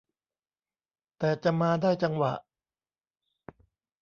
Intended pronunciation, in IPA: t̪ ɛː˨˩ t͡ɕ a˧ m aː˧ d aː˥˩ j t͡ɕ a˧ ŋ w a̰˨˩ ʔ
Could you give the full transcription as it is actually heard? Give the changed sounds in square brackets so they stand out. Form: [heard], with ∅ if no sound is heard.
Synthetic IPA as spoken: t̪ ɛː˨˩ t͡ɕ [a˨˩] m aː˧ d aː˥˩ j t͡ɕ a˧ ŋ w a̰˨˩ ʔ